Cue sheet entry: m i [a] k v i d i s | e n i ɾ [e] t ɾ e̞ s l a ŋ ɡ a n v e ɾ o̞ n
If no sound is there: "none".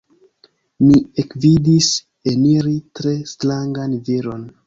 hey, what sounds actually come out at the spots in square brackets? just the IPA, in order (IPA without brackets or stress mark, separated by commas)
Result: e, i